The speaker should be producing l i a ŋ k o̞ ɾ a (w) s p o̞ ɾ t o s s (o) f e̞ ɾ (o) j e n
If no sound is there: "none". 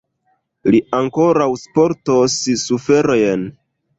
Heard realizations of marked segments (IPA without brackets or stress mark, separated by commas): w, u, o